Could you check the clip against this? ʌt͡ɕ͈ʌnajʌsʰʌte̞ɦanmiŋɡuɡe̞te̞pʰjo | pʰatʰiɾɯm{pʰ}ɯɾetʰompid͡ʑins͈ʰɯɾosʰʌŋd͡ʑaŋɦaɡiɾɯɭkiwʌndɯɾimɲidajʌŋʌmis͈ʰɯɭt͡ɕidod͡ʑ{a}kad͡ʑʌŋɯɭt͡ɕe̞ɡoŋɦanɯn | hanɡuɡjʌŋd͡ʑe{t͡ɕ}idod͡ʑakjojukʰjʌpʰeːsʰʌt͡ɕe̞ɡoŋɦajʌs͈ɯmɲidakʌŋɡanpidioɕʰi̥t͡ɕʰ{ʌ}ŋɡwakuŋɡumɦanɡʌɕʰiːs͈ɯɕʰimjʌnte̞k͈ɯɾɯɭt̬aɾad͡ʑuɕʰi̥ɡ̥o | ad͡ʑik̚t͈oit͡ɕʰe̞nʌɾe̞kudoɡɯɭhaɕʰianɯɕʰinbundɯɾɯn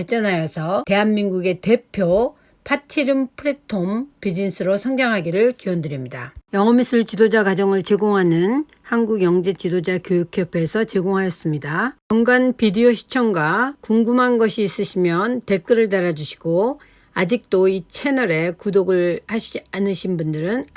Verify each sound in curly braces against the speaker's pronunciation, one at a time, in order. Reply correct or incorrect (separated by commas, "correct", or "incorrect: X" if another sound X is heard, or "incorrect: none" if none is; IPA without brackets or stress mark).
correct, correct, correct, correct